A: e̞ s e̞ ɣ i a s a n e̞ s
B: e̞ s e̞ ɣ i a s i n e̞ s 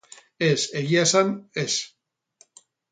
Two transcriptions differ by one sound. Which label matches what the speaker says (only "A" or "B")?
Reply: A